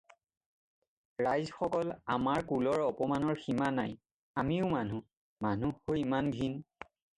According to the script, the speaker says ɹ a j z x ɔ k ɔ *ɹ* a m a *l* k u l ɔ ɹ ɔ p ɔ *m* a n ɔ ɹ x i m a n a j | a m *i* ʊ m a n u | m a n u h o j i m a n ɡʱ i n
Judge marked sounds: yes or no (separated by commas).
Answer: no, no, yes, yes